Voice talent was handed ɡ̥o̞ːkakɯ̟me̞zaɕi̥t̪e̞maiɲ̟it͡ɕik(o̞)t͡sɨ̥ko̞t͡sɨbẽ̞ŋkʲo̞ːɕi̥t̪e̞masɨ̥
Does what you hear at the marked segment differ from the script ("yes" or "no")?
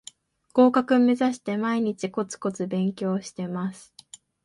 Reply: no